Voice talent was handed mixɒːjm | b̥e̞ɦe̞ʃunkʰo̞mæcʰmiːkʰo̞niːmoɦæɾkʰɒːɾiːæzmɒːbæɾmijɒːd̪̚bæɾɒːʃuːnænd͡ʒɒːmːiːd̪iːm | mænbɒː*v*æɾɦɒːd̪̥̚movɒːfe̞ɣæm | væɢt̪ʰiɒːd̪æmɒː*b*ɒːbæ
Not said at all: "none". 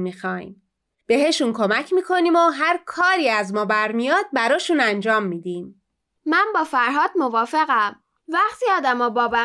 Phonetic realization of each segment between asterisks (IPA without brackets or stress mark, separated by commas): f, b